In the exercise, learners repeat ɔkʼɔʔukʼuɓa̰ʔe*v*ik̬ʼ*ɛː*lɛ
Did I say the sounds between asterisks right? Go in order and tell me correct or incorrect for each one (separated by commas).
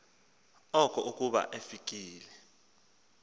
incorrect, incorrect